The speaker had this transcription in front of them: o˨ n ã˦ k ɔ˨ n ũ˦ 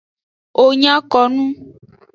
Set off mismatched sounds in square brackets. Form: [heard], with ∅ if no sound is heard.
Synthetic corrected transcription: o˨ [ɲ] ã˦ k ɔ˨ n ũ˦

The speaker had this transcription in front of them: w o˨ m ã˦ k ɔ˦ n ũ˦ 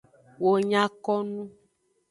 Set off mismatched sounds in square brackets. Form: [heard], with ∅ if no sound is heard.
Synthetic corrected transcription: w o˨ [ɲ] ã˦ k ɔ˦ n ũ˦

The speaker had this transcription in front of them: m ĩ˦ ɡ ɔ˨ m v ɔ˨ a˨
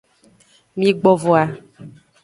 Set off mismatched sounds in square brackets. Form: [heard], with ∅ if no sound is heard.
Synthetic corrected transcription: m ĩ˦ [ɡ͡b] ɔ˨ [∅] v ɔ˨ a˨

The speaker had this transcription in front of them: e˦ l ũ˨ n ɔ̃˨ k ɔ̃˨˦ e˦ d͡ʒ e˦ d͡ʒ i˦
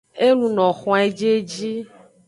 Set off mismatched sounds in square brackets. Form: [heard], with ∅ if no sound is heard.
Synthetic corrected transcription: e˦ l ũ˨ n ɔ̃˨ [x] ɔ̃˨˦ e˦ d͡ʒ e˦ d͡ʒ i˦

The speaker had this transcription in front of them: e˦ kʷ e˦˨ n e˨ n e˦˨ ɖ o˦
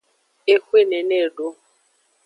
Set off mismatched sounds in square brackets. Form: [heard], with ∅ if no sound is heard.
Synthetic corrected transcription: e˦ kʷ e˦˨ n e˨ n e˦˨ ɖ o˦

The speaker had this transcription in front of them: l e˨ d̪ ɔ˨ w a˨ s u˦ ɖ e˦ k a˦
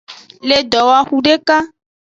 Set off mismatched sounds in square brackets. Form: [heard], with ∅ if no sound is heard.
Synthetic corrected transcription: l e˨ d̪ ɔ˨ w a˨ [x] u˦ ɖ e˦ k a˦

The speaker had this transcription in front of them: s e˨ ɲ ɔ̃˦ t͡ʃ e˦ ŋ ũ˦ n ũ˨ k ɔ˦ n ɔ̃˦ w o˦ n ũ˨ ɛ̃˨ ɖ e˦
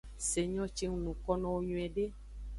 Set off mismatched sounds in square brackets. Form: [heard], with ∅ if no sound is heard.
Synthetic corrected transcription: s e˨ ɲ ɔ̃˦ t͡ʃ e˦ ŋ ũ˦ n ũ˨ k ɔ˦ n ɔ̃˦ w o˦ [ɲ] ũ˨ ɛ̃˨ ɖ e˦

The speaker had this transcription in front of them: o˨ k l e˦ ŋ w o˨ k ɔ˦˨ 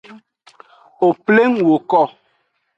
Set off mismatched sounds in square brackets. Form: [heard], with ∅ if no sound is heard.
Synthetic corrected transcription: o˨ [p] l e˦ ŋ w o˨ k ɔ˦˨

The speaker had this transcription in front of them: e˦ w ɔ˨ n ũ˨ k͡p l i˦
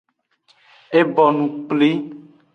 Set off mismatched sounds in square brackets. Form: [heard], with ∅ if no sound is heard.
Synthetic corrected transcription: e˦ [b] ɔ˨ n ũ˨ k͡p l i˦

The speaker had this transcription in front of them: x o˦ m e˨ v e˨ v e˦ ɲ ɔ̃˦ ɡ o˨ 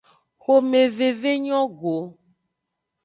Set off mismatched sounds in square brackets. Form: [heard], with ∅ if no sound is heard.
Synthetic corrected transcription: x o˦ m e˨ v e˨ v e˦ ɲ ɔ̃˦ ɡ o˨

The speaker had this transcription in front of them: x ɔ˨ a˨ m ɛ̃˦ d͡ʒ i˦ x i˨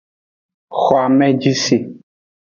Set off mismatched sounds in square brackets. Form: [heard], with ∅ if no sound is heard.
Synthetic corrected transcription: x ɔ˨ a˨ m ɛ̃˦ d͡ʒ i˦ [s] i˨

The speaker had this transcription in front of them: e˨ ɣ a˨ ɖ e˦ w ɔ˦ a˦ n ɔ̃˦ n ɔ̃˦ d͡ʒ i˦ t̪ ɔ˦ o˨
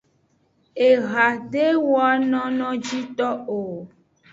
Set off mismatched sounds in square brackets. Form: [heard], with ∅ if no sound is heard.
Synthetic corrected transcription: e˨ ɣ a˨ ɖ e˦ w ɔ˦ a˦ n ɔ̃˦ n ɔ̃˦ d͡ʒ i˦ t̪ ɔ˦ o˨

